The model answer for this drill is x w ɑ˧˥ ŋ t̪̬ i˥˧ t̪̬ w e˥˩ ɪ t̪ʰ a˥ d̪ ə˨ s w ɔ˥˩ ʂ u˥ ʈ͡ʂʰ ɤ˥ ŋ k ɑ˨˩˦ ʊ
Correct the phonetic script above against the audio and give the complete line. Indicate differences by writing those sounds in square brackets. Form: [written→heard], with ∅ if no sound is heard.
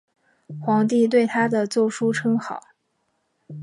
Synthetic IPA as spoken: x w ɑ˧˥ ŋ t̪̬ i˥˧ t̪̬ w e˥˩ ɪ t̪ʰ a˥ d̪ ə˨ [s→t͡s] w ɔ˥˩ ʂ u˥ ʈ͡ʂʰ ɤ˥ ŋ [k→x] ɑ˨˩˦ ʊ